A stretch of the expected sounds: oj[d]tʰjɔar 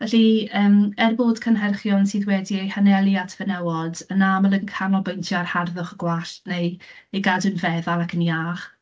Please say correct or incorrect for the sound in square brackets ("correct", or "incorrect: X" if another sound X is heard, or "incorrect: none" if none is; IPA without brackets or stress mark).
incorrect: n